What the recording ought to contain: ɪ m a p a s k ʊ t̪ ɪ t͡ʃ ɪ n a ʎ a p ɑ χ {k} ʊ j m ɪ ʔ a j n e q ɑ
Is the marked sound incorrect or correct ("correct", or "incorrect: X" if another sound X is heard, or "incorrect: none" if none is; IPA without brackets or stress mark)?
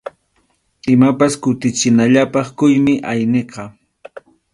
correct